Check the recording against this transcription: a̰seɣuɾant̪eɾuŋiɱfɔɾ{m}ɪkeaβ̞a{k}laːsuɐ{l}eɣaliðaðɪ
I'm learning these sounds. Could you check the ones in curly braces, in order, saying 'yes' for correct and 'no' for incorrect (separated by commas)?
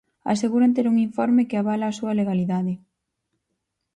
yes, no, yes